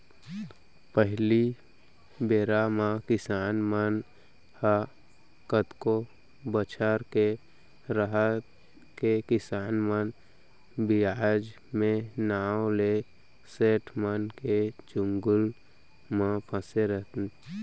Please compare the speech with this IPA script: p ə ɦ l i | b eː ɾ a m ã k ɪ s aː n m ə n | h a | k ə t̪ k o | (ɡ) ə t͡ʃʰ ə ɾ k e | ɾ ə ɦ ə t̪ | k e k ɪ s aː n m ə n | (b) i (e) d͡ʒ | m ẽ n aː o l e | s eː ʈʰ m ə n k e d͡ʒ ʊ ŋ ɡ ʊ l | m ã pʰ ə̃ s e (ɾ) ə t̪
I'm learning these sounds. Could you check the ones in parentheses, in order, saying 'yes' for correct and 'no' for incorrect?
no, yes, no, yes

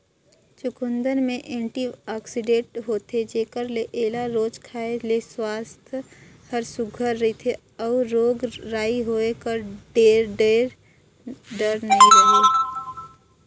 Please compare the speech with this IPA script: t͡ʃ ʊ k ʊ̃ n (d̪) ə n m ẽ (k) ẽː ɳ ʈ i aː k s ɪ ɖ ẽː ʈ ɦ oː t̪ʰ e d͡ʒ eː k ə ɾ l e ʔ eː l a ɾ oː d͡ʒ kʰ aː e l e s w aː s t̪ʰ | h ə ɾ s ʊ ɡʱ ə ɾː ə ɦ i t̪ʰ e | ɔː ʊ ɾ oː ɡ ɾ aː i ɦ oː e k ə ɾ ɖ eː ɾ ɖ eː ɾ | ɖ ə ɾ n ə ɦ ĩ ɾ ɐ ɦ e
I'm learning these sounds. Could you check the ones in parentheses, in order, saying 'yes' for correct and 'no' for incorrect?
yes, no

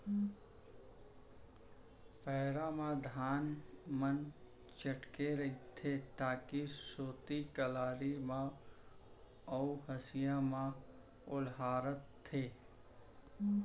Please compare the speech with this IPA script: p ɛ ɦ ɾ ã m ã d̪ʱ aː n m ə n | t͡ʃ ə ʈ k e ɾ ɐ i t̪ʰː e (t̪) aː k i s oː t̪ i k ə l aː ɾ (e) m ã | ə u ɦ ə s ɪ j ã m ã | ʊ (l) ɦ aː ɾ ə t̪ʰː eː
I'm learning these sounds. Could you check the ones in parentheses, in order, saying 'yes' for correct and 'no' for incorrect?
yes, no, yes

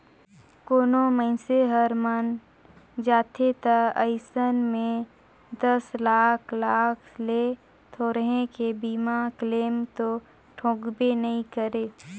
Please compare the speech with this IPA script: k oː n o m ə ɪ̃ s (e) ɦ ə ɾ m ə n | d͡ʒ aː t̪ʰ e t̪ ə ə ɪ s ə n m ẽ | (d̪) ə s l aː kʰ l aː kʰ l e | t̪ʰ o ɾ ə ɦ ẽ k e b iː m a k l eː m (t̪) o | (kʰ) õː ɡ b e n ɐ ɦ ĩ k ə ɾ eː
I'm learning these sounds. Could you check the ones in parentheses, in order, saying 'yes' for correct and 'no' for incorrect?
yes, yes, yes, no

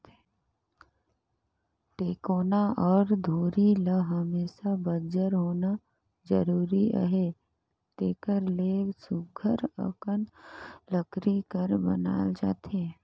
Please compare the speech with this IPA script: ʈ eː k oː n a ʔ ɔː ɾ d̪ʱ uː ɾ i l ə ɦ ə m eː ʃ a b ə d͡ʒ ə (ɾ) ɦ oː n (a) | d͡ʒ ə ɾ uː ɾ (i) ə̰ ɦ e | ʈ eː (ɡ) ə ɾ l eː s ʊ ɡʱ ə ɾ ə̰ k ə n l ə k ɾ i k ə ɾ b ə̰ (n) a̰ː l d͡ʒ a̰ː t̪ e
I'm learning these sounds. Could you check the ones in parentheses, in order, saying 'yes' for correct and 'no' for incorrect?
yes, yes, yes, no, yes

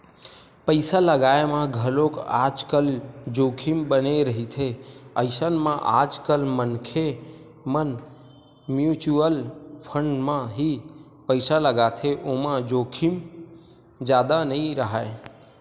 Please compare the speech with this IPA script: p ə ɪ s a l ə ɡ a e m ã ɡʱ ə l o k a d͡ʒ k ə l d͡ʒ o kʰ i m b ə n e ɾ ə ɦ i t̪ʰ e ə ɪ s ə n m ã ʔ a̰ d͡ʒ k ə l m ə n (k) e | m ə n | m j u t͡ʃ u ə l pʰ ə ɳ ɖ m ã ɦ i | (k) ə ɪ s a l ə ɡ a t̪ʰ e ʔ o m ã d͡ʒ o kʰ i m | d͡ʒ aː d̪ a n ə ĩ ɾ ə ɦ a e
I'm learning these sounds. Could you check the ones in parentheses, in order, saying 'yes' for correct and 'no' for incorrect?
no, no

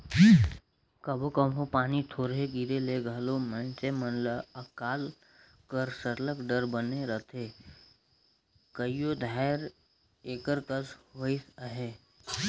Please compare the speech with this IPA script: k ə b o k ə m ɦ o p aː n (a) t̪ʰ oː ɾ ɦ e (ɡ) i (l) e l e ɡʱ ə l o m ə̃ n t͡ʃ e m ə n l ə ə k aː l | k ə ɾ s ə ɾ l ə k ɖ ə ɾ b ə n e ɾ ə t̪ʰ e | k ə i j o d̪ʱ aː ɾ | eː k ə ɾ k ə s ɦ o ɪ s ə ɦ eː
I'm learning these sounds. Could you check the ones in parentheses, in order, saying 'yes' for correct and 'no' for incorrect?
no, yes, no

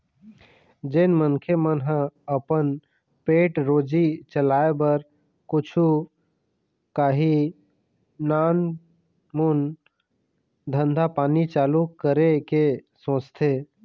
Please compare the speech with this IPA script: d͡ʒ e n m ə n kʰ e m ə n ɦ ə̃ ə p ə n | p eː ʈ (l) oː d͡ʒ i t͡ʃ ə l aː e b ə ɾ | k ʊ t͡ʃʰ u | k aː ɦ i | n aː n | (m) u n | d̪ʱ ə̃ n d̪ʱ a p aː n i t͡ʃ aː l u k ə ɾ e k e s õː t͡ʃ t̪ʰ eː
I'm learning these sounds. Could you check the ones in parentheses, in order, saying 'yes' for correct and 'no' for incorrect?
no, yes

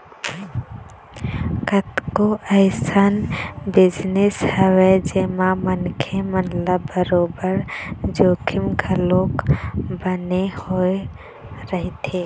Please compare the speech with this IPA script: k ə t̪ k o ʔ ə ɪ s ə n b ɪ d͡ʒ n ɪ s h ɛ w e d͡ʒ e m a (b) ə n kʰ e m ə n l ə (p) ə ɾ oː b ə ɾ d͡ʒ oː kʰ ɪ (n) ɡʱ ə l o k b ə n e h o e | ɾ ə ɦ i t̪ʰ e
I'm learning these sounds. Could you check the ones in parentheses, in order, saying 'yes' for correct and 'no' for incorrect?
no, no, no

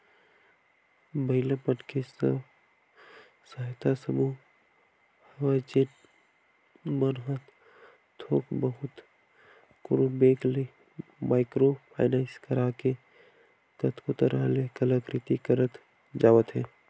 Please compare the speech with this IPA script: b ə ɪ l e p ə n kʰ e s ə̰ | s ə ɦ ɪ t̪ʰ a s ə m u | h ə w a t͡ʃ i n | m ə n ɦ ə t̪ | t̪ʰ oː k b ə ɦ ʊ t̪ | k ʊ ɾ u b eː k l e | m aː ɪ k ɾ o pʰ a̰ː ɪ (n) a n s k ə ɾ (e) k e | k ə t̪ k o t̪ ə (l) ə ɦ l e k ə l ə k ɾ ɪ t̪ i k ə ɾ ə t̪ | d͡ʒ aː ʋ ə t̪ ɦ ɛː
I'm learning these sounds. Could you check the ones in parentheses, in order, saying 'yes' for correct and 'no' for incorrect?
yes, no, no

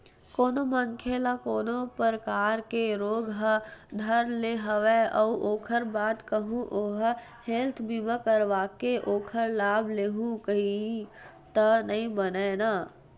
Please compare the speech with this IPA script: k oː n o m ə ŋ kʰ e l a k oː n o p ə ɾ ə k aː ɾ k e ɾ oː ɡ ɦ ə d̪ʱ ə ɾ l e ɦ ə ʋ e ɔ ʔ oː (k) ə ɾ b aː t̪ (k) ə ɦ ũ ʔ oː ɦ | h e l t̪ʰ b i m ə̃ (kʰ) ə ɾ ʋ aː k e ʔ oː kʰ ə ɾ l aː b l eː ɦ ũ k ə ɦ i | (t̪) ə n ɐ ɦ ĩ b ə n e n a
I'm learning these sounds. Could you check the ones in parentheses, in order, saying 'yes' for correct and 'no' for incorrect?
no, yes, no, yes

